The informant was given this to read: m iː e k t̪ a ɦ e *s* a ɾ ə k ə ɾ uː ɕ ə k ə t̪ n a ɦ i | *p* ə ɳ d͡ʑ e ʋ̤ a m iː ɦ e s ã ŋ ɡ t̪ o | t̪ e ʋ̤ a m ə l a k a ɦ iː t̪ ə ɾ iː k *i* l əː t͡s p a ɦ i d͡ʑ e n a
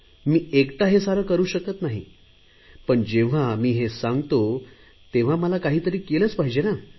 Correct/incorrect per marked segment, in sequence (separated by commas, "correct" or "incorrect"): correct, correct, incorrect